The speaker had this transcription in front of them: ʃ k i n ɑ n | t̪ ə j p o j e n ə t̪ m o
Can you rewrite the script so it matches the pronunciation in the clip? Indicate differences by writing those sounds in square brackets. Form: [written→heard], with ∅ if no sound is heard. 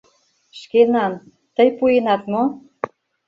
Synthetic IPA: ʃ k [i→e] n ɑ n | t̪ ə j p [o→u] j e n [ə→ɑ] t̪ m o